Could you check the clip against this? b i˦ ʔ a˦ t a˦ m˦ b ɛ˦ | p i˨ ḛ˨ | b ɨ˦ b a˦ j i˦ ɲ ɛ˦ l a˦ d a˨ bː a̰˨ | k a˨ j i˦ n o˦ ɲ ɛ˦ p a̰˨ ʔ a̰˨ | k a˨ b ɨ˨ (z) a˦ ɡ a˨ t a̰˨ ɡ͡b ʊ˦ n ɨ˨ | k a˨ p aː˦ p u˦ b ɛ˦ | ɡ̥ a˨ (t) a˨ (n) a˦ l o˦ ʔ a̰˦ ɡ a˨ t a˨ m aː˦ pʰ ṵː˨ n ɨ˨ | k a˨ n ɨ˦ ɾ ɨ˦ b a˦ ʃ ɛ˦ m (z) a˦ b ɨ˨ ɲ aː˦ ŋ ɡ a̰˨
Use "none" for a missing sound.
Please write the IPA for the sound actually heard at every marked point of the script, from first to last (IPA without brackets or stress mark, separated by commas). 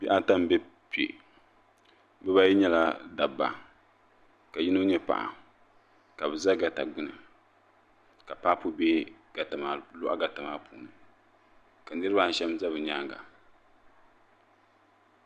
z, t, m, z